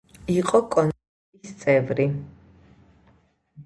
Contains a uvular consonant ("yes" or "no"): yes